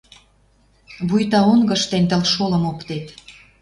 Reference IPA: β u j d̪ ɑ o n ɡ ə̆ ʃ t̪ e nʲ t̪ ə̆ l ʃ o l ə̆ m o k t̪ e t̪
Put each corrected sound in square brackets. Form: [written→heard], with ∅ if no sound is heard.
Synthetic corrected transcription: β u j [d̪→t̪] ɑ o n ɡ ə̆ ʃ t̪ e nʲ t̪ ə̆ l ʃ o l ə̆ m o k t̪ e t̪